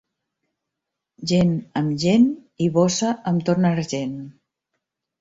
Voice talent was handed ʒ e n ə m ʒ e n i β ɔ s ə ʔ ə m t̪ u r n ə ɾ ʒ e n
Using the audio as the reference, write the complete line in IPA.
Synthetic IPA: ʒ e n ə m ʒ e n i β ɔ s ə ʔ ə m t̪ o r n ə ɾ ʒ e n